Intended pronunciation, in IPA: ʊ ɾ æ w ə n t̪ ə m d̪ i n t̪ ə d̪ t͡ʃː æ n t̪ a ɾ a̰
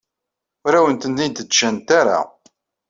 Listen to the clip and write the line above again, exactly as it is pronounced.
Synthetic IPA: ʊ ɾ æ w ə n t̪ ə n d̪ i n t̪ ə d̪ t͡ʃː æ n t̪ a ɾ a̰